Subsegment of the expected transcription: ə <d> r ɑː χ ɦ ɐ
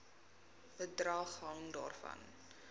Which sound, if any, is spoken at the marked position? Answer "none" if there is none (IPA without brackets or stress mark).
d